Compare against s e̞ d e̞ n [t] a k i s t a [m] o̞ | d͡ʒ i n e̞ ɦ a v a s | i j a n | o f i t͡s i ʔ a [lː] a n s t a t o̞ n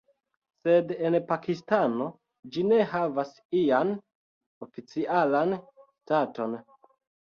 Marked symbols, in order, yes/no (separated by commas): no, no, no